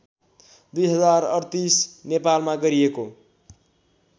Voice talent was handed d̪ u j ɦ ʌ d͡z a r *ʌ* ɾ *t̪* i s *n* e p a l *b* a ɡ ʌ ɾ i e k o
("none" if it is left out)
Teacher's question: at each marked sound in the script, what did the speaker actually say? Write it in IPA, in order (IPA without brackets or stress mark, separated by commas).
ʌ, t̪, n, m